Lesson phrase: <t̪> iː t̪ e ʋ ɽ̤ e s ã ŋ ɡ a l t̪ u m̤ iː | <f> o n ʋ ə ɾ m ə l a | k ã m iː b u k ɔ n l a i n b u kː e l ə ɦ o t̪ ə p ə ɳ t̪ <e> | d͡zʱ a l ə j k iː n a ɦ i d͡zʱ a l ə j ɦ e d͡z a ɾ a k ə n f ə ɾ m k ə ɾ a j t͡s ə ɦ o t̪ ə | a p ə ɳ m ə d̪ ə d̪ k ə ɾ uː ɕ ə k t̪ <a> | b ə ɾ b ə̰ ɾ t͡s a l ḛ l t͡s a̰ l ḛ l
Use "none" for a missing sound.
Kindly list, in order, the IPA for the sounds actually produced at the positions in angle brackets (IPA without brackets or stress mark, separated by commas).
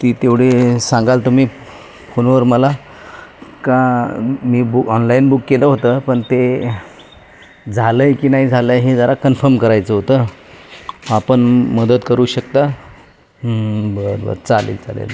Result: t̪, f, e, a